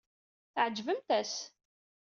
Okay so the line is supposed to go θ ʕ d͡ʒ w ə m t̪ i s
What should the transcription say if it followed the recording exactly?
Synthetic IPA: θ ʕ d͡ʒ v ə m t̪ æ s